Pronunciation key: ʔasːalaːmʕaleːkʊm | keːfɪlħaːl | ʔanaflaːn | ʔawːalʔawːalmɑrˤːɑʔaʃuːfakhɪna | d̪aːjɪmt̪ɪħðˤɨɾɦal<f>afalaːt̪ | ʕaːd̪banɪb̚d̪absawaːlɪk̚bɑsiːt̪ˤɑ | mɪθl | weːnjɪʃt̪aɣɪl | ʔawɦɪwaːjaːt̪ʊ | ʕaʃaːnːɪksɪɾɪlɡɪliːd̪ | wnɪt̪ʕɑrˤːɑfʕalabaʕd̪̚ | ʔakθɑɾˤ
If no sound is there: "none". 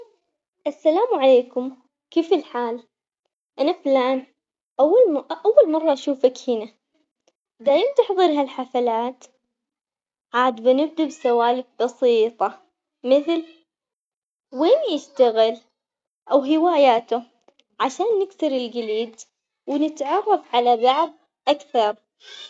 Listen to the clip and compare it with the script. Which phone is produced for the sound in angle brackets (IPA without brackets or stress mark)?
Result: ħ